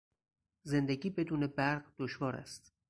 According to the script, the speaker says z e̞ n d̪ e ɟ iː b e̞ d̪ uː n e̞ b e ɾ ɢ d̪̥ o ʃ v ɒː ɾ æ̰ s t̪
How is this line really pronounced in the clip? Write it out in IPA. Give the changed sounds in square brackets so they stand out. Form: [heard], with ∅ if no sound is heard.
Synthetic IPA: z e̞ n d̪ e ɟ iː b e̞ d̪ uː n e̞ b [æ] ɾ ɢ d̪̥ o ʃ v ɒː ɾ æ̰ s t̪